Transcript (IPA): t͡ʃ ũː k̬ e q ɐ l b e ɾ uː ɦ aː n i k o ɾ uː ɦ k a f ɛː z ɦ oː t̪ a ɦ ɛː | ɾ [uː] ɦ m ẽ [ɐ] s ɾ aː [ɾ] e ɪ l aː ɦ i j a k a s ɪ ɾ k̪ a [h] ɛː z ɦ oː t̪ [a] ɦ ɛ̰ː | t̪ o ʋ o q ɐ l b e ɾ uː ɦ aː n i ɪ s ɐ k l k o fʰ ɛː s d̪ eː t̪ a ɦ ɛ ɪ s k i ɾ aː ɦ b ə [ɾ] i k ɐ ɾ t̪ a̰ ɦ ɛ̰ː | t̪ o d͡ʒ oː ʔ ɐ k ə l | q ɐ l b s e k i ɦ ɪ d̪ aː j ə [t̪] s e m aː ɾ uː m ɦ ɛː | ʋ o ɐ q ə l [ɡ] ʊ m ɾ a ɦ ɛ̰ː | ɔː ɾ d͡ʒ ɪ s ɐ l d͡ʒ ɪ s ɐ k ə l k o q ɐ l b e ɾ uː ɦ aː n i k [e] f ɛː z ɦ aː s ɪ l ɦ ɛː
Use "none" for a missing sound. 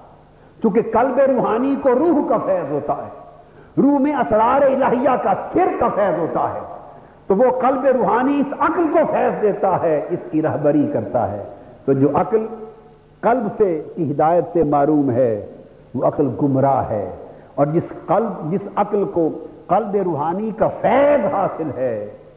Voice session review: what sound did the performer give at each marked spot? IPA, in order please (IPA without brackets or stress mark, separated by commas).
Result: uː, ɐ, ɾ, f, a, ɾ, t̪, ɡ, a